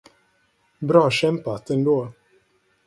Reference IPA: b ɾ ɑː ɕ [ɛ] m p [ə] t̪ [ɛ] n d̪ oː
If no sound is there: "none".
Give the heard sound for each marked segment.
ɛ, a, ɛ

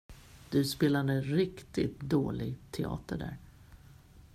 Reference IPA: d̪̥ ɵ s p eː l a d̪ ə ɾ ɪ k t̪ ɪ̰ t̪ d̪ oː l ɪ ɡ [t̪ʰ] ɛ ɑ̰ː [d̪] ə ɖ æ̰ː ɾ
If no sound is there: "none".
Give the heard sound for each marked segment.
t̪ʰ, t̪

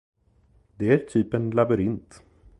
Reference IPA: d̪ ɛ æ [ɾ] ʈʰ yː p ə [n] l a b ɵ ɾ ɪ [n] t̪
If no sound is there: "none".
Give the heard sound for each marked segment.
ɾ, n, n

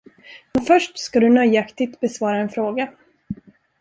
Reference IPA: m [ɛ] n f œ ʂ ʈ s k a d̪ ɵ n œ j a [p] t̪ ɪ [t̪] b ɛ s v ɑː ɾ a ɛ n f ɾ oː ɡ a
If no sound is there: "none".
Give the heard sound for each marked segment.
ɛ, k, t̪

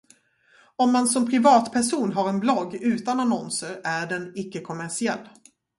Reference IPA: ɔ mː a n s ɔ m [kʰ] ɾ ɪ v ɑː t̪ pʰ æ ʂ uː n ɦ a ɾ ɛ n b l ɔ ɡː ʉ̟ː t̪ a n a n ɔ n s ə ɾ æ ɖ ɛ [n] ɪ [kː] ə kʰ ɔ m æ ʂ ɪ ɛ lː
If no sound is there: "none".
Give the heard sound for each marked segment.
pʰ, n, kː

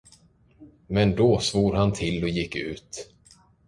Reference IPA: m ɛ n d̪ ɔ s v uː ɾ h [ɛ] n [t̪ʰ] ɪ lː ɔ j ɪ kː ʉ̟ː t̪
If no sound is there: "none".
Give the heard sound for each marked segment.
a, t̪ʰ

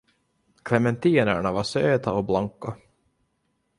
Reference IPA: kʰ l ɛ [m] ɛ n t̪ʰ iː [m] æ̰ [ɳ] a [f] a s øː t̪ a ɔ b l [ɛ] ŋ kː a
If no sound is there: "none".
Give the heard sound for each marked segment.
m, n, ɳ, v, a

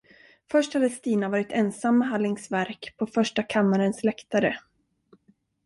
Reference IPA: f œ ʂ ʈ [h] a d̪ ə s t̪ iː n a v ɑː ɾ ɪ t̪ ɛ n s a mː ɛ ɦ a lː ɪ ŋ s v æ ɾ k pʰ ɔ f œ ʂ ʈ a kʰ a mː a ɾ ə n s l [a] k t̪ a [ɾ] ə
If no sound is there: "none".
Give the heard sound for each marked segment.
h, ɛ, ɾ

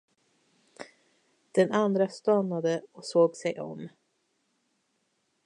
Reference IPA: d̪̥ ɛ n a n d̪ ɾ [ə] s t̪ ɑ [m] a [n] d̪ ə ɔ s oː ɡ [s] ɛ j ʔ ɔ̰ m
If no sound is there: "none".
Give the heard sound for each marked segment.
a, n, none, s

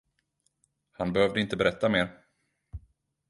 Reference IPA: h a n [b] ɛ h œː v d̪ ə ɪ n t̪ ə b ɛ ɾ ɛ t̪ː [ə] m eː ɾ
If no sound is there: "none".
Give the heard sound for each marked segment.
b, a

